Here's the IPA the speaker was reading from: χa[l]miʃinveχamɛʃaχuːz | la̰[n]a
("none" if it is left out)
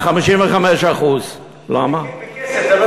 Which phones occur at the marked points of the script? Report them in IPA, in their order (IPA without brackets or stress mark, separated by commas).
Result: none, m